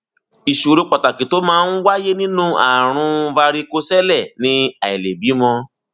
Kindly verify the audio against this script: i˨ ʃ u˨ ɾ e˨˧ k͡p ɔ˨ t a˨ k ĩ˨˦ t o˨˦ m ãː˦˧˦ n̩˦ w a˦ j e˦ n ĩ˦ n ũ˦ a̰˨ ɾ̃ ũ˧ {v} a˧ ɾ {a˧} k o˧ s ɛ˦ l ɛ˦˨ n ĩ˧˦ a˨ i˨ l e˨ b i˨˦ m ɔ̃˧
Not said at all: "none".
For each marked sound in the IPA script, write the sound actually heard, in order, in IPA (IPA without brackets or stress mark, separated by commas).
v, i˧